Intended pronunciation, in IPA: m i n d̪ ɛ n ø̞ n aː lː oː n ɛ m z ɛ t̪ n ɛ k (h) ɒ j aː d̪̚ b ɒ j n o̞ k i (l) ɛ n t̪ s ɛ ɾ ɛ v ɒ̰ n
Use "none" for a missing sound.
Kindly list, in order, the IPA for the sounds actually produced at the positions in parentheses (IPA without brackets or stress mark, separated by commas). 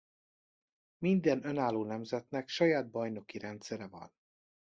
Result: ʃ, ɾ